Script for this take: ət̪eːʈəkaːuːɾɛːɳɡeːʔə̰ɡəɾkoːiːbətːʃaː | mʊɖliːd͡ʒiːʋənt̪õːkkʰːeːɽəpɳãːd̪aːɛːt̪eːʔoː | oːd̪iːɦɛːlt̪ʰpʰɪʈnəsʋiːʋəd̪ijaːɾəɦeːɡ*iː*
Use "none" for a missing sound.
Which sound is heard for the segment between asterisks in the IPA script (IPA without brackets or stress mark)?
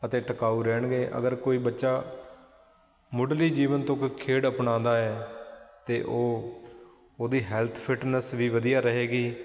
iː